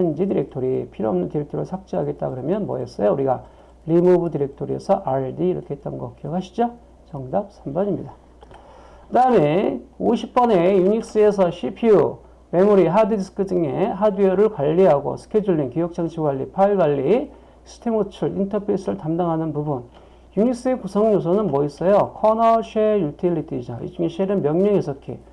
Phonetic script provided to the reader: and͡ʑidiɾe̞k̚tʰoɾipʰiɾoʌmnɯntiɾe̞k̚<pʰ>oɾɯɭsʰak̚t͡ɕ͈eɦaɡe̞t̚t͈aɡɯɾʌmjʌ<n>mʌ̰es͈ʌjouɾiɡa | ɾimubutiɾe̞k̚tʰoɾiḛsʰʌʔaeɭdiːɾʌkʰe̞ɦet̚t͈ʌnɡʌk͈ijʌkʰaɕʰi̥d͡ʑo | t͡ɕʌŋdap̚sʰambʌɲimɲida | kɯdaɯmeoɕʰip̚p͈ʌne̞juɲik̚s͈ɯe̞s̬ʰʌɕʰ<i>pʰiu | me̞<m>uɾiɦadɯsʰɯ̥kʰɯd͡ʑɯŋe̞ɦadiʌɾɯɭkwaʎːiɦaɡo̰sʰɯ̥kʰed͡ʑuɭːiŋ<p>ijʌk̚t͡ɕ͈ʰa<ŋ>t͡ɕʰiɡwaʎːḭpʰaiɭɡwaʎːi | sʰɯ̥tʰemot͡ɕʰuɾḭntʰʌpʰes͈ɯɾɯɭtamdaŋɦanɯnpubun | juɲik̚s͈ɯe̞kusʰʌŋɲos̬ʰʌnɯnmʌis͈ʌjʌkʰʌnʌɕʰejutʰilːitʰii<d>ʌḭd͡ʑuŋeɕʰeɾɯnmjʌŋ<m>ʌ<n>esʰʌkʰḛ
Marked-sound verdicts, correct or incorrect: incorrect, correct, correct, correct, incorrect, correct, incorrect, incorrect, incorrect

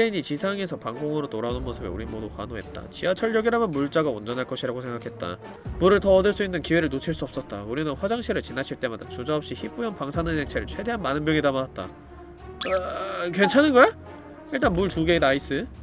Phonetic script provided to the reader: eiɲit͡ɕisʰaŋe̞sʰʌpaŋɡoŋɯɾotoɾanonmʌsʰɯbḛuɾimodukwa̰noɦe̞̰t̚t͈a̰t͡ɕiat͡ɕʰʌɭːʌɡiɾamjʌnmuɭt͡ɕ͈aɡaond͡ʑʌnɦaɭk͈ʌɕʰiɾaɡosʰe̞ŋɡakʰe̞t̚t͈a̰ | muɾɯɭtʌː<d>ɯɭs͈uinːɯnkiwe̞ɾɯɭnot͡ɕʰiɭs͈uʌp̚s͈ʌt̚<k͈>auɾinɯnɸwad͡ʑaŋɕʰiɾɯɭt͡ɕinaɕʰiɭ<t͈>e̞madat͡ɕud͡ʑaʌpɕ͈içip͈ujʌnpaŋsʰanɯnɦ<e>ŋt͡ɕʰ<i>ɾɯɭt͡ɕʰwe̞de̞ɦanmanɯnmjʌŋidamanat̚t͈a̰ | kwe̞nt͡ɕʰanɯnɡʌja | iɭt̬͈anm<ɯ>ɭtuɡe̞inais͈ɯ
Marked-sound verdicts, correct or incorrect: correct, incorrect, correct, correct, incorrect, incorrect

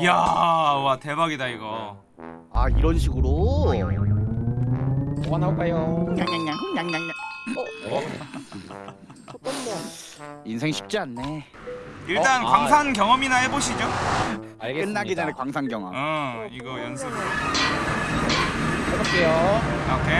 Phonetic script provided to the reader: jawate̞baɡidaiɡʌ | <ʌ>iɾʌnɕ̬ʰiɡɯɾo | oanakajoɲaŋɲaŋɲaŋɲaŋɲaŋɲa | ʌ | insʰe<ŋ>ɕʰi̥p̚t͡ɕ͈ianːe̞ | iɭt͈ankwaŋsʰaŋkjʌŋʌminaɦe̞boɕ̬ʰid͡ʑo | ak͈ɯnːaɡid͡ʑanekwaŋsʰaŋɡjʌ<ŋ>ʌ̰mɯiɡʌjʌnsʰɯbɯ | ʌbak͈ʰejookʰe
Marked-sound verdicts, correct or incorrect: incorrect, correct, correct

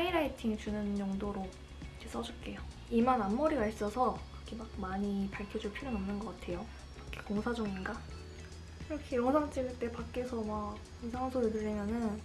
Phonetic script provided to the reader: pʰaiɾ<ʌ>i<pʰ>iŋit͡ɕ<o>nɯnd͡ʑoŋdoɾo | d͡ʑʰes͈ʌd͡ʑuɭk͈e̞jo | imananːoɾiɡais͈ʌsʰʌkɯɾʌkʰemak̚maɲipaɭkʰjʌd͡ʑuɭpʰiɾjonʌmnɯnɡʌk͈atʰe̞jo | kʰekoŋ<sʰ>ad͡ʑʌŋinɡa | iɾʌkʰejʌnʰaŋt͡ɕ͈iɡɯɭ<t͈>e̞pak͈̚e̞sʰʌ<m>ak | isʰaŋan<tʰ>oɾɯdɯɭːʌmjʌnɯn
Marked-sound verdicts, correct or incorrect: incorrect, incorrect, incorrect, correct, correct, correct, incorrect

